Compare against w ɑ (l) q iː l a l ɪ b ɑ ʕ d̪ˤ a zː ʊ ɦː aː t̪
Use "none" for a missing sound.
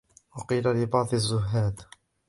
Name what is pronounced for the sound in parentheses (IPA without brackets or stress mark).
none